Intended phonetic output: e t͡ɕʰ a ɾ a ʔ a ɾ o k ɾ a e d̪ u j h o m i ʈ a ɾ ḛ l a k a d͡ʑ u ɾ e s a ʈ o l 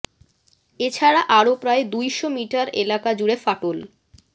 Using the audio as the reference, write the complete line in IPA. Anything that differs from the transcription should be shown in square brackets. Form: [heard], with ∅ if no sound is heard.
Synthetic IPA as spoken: e t͡ɕʰ a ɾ a ʔ a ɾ o [p] ɾ a e d̪ u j [ʃ] o m i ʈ a ɾ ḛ l a k a d͡ʑ u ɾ e [f] a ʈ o l